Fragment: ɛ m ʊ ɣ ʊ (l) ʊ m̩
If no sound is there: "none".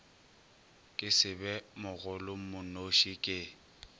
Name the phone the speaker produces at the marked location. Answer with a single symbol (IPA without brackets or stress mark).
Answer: l